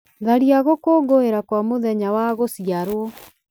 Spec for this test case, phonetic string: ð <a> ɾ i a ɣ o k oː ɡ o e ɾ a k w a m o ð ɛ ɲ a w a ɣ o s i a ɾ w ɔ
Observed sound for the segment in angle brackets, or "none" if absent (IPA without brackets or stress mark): a